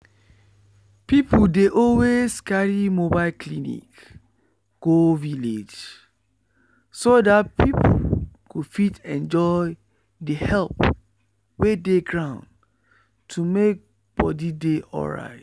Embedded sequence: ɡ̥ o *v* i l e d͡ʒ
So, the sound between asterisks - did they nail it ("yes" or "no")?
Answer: yes